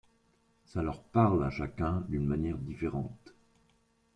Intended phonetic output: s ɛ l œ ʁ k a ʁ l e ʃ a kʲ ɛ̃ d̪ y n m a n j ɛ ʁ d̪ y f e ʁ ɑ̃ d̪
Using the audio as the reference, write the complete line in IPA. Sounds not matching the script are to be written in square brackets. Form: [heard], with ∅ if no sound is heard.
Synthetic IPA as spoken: s [a] l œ ʁ [p] a ʁ l [a] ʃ a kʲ ɛ̃ d̪ y n m a n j ɛ ʁ d̪ [i] f e ʁ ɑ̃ [t̪]